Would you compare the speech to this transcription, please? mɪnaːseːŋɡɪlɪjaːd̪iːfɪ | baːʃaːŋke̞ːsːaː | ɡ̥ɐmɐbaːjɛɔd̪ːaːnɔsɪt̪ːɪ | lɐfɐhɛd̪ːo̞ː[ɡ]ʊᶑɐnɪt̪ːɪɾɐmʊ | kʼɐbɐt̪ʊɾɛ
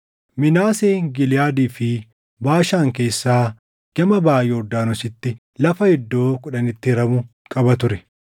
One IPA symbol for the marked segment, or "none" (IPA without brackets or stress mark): k